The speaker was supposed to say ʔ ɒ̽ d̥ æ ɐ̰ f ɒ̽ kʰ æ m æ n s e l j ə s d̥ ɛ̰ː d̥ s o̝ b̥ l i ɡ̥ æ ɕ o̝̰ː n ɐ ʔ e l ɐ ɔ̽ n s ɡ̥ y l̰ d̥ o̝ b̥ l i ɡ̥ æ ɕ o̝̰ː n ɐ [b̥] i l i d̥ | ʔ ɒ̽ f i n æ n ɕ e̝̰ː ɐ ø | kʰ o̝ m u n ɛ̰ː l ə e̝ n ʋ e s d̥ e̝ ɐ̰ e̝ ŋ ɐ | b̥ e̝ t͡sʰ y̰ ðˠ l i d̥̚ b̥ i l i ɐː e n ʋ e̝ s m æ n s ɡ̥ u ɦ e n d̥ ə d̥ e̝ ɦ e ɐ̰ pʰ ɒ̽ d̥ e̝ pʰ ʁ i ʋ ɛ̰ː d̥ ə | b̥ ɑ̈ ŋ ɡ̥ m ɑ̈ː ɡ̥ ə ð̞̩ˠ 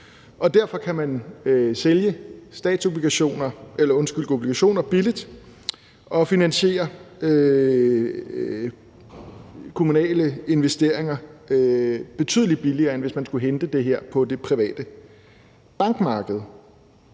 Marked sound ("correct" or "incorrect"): correct